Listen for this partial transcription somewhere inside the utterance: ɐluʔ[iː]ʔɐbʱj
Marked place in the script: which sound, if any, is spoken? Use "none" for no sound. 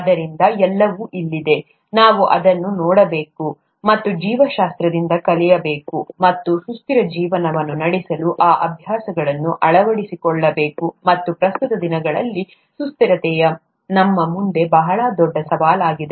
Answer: aː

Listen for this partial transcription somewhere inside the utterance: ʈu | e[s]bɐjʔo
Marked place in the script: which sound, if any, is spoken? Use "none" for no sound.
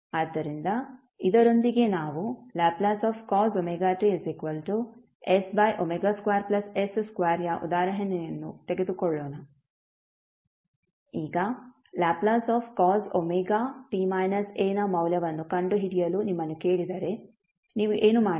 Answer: s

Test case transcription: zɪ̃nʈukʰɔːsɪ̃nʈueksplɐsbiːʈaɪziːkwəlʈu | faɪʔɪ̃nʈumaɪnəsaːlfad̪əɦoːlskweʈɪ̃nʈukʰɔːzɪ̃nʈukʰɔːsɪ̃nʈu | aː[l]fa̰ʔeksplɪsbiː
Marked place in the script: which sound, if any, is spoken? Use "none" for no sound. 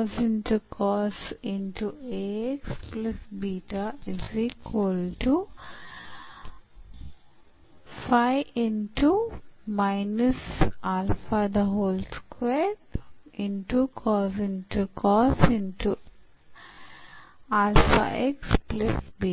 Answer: l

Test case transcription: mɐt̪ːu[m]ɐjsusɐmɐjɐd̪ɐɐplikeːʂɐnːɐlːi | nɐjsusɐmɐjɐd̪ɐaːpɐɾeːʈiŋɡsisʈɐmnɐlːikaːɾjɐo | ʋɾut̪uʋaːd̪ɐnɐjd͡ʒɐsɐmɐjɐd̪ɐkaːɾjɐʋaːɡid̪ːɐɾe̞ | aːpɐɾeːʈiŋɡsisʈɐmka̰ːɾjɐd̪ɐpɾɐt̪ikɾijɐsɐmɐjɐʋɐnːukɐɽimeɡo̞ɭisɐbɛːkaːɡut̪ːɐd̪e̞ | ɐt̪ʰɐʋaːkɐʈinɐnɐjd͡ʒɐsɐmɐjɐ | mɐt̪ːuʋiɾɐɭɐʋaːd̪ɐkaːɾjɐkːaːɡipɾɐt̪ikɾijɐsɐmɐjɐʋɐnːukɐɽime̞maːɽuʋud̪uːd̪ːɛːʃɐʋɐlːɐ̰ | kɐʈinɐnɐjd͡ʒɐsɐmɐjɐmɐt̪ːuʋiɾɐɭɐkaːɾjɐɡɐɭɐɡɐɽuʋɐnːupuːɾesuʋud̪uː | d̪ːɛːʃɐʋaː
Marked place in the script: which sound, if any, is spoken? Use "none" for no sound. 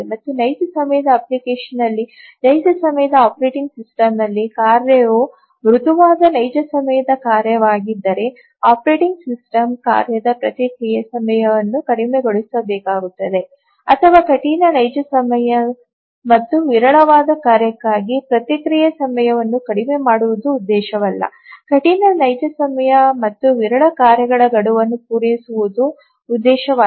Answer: n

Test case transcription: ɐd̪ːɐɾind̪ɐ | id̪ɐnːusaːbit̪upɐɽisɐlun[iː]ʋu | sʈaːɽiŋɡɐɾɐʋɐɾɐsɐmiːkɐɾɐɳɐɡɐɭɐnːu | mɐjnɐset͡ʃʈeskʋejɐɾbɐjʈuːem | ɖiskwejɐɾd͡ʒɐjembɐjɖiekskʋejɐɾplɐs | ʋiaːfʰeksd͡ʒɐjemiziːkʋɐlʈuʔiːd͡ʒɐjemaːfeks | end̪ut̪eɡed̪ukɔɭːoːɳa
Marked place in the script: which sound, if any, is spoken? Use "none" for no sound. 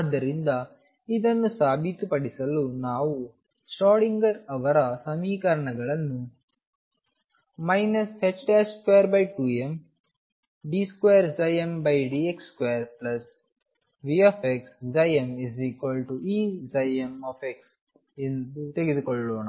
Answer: aː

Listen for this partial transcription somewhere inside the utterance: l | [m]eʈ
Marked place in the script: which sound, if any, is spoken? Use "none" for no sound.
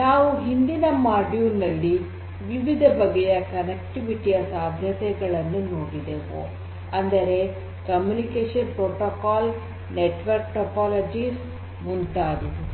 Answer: n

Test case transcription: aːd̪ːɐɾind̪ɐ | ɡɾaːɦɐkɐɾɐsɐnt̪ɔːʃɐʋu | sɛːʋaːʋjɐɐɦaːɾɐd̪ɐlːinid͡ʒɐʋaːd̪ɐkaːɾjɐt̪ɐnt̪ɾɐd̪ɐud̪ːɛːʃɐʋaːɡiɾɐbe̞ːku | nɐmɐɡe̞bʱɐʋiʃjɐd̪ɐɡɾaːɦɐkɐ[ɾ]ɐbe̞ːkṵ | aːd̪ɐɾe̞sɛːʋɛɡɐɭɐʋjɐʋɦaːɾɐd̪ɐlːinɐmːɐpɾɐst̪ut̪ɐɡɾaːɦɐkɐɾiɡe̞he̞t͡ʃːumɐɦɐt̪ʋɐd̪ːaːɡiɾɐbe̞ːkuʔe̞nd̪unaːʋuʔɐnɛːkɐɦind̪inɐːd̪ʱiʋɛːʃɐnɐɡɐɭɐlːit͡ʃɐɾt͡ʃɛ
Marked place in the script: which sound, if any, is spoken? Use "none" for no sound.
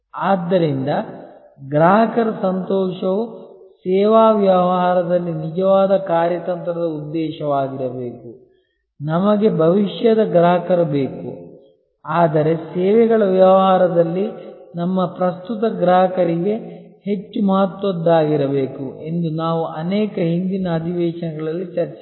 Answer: ɾ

